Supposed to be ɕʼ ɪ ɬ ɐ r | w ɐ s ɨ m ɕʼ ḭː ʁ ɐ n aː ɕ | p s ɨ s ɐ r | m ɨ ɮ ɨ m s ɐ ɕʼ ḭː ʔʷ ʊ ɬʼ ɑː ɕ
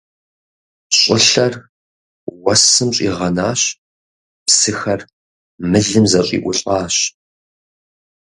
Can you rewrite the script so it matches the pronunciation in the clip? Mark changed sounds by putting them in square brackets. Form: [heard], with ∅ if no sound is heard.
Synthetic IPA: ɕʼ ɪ ɬ ɐ r | w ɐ s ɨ m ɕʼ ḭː ʁ ɐ n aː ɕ | p s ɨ [x] ɐ r | m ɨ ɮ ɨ m [z] ɐ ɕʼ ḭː ʔʷ ʊ ɬʼ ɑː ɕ